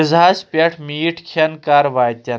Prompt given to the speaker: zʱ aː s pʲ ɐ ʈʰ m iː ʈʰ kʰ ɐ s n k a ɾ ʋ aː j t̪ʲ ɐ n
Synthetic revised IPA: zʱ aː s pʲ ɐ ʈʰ m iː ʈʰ kʰ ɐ n k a ɾ ʋ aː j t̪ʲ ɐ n